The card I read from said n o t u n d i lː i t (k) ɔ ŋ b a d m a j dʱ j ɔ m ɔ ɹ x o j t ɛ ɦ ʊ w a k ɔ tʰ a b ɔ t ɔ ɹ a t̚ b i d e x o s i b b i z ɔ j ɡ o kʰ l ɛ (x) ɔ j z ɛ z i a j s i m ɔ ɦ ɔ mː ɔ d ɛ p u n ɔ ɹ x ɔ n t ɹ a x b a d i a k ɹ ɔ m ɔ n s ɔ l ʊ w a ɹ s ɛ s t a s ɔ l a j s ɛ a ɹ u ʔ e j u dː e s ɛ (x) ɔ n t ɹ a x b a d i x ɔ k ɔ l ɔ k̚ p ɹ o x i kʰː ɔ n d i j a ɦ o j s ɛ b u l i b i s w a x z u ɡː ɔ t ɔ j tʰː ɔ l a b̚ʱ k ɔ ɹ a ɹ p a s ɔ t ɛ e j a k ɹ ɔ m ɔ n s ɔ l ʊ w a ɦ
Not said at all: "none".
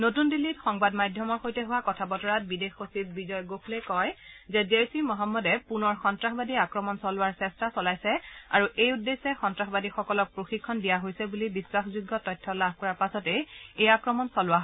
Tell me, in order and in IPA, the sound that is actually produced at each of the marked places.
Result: x, k, x

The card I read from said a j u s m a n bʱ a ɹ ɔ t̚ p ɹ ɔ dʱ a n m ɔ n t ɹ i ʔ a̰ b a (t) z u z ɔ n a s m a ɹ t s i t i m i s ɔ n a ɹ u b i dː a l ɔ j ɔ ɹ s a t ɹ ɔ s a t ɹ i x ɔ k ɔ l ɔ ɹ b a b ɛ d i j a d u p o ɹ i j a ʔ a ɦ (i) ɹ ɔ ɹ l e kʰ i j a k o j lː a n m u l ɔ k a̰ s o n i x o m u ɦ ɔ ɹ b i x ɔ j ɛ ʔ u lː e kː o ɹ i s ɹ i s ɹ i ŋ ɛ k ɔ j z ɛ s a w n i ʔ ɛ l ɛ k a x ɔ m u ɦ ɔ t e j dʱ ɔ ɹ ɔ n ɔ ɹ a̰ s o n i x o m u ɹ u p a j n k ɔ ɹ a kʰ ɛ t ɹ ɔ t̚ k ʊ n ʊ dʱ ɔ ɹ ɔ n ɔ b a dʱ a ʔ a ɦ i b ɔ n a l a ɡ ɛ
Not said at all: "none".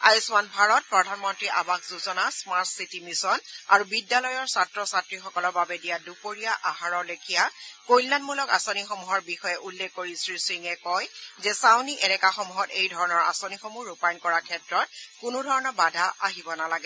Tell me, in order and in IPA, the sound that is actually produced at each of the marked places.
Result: k, a

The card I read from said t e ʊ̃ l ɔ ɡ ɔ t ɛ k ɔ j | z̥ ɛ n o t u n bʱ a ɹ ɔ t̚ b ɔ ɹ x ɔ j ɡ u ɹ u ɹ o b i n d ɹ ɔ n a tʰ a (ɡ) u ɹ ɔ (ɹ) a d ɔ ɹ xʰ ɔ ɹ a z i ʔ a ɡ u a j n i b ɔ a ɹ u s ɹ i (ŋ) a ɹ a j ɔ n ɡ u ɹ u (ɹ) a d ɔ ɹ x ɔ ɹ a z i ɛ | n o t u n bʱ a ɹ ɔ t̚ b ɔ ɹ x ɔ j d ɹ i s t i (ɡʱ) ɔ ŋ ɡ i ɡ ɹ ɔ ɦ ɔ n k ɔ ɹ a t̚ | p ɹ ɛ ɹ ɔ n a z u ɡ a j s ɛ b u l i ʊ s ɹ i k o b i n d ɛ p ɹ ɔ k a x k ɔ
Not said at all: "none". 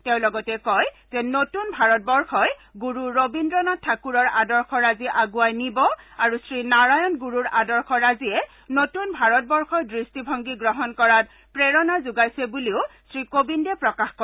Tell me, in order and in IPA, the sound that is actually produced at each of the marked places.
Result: k, ɹ, n, ɹ, bʱ

